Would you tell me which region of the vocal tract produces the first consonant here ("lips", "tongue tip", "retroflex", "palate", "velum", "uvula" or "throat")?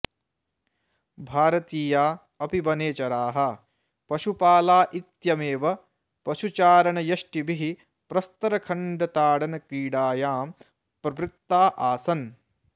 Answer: lips